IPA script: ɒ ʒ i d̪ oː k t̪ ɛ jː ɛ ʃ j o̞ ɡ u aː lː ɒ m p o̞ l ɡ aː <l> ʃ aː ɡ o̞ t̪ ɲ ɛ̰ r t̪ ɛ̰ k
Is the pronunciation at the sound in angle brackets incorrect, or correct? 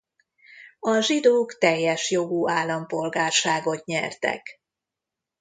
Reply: incorrect: r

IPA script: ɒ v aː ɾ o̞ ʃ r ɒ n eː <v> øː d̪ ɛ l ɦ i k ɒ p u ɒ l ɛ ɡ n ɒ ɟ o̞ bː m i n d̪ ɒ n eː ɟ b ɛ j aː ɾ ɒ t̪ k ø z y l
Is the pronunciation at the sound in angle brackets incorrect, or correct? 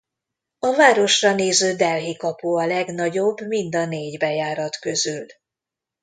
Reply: incorrect: z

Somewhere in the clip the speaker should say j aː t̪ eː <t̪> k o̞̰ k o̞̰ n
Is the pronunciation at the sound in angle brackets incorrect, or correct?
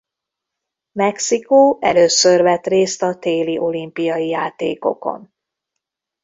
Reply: incorrect: none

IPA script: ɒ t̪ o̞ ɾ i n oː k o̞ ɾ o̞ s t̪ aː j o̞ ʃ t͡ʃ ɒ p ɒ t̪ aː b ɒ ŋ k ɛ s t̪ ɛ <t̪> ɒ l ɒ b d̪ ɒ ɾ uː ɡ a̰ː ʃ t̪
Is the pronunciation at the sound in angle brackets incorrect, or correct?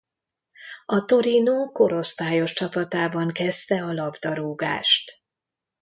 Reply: incorrect: none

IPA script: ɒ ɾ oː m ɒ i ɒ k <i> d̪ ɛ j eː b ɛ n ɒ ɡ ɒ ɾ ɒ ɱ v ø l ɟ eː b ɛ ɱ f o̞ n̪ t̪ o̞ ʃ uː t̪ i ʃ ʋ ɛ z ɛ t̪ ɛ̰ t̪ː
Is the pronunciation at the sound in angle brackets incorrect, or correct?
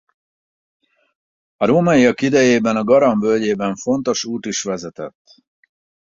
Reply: correct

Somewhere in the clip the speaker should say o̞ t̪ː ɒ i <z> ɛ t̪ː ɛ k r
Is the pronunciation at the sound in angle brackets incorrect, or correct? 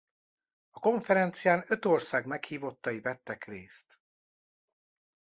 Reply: incorrect: v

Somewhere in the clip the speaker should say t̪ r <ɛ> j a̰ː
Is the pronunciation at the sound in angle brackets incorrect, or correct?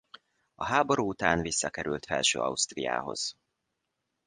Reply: incorrect: i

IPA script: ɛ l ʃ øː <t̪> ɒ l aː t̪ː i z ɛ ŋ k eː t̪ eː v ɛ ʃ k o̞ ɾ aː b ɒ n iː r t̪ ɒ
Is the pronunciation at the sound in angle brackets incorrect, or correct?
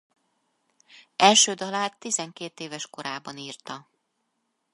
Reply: incorrect: d̪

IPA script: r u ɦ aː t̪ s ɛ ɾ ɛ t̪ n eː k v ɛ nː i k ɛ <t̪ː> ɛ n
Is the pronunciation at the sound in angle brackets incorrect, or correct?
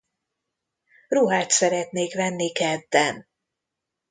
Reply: incorrect: d̪ː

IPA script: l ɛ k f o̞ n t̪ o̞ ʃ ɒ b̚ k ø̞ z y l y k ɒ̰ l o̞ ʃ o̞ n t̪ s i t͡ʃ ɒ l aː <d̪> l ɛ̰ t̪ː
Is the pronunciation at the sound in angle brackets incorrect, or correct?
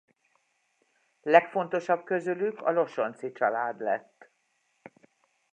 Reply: correct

